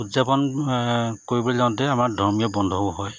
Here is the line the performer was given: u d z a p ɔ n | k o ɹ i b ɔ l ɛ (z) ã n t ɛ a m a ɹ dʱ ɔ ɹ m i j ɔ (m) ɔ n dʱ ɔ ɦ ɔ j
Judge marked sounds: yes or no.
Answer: yes, no

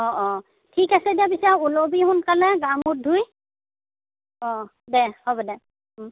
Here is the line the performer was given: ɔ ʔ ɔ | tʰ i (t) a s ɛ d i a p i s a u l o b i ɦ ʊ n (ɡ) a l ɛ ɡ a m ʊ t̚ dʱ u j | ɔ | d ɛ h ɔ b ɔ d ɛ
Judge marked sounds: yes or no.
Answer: no, no

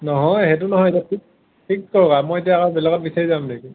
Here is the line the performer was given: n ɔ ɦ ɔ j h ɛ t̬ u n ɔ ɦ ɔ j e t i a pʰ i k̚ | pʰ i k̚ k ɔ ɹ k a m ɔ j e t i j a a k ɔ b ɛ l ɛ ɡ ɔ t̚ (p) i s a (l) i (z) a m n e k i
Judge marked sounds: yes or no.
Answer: no, no, yes

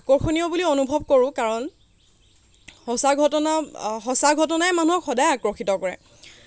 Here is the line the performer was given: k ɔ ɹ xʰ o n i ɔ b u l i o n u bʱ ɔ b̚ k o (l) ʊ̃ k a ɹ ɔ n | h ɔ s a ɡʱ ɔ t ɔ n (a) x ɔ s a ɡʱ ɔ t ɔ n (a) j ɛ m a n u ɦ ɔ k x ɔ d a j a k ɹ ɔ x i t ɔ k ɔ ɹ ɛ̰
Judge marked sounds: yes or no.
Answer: no, yes, yes

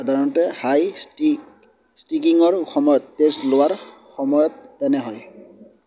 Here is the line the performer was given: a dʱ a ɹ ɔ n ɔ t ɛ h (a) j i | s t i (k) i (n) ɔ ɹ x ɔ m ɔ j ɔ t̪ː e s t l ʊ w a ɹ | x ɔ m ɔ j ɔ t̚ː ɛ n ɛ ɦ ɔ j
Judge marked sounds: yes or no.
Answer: yes, yes, no

